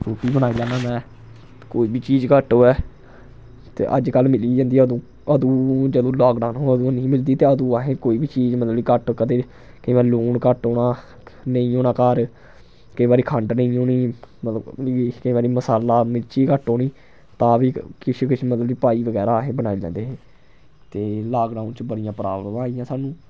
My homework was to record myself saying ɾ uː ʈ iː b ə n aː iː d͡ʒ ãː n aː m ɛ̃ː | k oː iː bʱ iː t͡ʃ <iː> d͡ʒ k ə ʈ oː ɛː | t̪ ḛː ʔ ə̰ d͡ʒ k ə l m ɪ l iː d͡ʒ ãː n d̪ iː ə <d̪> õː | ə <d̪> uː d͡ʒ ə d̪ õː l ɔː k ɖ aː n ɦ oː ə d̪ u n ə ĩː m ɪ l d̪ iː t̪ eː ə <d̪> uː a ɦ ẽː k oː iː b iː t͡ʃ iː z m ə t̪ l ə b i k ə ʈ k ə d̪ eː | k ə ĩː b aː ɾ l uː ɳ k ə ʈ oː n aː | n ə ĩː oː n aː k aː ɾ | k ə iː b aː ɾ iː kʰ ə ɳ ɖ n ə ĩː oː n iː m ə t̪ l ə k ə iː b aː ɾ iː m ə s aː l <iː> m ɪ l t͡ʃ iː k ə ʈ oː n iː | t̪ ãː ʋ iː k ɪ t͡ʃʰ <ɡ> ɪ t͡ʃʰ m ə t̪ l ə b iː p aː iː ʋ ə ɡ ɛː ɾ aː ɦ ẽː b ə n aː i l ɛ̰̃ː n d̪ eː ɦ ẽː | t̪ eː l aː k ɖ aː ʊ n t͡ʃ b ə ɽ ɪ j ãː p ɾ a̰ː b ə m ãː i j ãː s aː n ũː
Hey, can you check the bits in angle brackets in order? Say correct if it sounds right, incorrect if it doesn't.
correct, correct, correct, correct, incorrect, incorrect

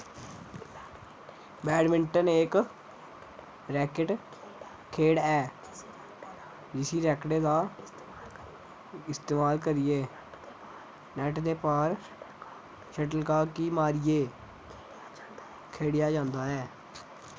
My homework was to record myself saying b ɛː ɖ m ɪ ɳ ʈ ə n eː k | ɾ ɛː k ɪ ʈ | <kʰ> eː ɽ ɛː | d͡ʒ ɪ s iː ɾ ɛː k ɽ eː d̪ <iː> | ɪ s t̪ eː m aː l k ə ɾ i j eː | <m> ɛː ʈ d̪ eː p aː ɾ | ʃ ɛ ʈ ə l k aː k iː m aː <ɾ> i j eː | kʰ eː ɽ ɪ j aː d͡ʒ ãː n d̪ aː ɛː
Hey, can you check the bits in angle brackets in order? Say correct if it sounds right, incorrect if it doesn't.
correct, incorrect, incorrect, correct

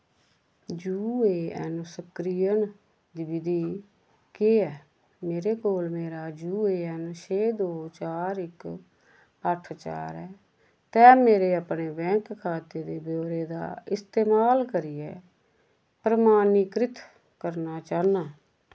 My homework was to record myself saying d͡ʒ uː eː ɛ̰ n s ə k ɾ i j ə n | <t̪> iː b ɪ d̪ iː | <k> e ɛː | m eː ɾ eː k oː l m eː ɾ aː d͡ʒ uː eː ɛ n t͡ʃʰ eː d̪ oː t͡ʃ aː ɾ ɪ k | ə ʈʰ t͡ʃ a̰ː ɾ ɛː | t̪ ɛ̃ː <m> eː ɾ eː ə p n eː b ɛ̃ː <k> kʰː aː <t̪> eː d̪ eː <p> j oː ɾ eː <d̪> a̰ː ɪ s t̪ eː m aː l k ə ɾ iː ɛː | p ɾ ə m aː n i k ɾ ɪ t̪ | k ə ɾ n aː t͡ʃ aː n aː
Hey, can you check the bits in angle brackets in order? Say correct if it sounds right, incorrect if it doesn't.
incorrect, correct, correct, correct, correct, incorrect, correct

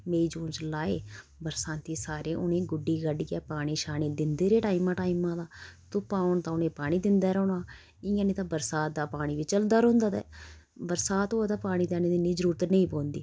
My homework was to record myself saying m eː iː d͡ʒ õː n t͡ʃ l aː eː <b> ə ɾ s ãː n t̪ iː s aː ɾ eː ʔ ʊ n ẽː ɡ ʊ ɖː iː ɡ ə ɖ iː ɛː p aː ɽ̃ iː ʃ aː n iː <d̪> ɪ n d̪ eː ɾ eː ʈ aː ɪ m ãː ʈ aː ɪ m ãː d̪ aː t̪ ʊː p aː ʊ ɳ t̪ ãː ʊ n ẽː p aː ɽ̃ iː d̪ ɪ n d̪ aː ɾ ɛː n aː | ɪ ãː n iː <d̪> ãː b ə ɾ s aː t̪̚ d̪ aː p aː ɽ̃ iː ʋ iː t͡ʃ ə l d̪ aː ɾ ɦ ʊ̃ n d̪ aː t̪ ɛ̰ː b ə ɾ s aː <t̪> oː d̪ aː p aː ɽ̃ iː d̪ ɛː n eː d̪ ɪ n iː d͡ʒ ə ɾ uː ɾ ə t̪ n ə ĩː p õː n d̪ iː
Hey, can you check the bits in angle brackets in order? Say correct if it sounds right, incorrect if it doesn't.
correct, correct, incorrect, correct

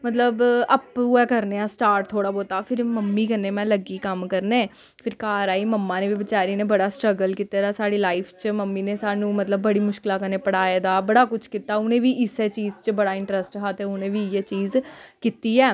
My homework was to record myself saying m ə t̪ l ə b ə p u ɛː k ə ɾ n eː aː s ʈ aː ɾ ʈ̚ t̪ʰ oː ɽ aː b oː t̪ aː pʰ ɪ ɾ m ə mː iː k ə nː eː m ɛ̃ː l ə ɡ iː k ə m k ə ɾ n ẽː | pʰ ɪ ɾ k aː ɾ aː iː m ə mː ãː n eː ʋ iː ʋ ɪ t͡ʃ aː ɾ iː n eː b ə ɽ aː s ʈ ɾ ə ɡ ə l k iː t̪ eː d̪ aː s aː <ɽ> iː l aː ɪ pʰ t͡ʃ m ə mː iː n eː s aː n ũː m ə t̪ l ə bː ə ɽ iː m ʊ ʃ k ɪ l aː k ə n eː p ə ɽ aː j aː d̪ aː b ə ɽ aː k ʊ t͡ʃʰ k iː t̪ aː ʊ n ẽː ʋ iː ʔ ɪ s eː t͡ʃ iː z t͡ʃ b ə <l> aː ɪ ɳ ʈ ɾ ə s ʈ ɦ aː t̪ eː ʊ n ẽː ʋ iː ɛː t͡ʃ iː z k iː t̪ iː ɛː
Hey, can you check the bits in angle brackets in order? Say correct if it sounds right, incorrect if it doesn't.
correct, incorrect

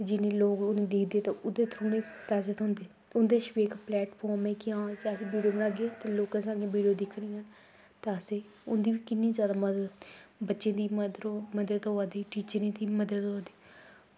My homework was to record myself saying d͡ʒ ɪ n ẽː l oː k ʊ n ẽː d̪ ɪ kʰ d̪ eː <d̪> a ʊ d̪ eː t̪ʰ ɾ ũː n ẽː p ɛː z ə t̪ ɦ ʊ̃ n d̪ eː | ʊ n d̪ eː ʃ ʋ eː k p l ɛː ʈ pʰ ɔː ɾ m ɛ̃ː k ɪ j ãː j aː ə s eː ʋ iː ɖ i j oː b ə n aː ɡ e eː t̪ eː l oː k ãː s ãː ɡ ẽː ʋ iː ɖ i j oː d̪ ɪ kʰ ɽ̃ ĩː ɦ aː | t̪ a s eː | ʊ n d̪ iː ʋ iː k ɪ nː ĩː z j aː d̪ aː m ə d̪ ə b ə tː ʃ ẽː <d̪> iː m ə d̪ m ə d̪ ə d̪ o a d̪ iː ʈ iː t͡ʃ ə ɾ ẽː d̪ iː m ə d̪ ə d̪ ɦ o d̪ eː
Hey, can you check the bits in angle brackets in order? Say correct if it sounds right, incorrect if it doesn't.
incorrect, correct

